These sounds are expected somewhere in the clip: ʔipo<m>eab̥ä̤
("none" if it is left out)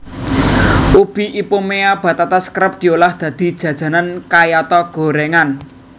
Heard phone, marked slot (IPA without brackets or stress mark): m